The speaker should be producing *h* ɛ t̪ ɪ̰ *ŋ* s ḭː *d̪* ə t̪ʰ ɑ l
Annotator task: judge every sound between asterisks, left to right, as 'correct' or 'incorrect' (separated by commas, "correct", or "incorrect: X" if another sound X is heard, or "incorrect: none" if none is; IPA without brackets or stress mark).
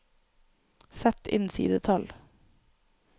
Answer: incorrect: s, incorrect: n, correct